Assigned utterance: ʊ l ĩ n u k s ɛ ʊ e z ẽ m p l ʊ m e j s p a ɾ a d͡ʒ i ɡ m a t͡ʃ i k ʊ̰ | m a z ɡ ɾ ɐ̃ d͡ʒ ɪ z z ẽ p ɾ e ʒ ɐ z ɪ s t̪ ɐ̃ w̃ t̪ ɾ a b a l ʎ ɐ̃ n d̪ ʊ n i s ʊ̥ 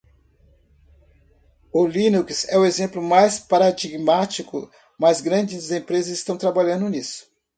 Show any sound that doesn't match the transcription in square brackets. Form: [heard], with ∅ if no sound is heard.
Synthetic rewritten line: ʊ l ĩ n u k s ɛ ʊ e z ẽ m p l ʊ m [a] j s p a ɾ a d͡ʒ i ɡ m a t͡ʃ i k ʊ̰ | m a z ɡ ɾ ɐ̃ d͡ʒ ɪ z z ẽ p ɾ e [z] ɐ z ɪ s t̪ ɐ̃ w̃ t̪ ɾ a b a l ʎ ɐ̃ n d̪ ʊ n i s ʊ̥